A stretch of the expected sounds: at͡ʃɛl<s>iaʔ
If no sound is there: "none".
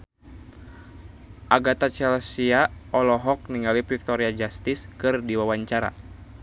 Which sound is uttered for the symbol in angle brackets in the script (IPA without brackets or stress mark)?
s